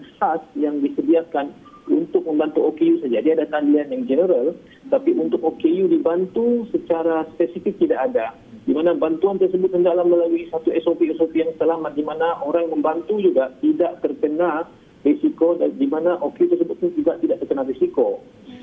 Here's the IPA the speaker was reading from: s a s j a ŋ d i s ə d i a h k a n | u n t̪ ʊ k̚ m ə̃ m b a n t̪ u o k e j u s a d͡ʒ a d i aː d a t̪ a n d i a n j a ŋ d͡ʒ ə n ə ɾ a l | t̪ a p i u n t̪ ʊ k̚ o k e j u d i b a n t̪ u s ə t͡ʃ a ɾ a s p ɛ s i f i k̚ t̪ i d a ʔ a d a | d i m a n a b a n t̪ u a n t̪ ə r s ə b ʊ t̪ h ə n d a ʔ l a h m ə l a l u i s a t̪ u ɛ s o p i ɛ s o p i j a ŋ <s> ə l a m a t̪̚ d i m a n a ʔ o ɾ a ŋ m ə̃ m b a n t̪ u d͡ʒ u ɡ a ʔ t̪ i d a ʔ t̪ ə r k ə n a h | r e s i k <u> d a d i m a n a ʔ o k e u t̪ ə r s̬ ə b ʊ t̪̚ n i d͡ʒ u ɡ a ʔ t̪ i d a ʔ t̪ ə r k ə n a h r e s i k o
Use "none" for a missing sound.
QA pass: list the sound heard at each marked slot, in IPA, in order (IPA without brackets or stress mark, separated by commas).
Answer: s, o